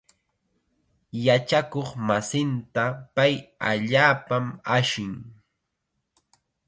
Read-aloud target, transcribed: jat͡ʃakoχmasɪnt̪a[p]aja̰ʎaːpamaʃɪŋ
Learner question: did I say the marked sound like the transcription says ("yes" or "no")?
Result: yes